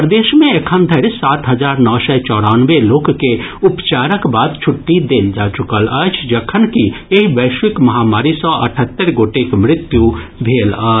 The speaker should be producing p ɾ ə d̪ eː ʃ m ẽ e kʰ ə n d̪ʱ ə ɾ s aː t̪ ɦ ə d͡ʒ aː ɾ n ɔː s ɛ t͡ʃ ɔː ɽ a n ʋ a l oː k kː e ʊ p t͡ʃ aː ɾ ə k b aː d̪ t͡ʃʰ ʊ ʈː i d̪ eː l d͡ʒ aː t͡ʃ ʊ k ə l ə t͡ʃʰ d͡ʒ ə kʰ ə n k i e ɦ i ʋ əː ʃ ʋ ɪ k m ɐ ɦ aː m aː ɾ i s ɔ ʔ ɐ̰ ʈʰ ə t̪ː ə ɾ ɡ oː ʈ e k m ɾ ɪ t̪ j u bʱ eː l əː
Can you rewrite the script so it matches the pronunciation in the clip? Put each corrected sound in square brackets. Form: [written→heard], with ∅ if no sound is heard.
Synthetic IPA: p ɾ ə d̪ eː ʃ m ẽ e kʰ ə n d̪ʱ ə ɾ s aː t̪ ɦ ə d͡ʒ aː ɾ n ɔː s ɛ t͡ʃ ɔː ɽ a n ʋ [a→e] l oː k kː e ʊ p t͡ʃ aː ɾ ə k b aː d̪ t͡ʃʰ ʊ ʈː i d̪ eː l d͡ʒ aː t͡ʃ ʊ k ə l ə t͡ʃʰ d͡ʒ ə kʰ ə n k i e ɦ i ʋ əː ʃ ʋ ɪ k m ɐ ɦ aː m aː ɾ i s ɔ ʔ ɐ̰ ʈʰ ə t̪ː ə ɾ ɡ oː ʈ e k m ɾ ɪ t̪ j u bʱ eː l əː